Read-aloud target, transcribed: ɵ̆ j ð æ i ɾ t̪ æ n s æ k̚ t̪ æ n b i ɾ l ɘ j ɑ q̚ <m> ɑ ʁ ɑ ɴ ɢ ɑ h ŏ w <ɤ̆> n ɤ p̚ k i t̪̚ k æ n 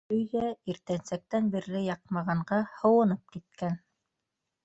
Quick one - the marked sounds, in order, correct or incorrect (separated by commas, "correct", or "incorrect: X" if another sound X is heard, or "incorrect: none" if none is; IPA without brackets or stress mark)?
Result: correct, correct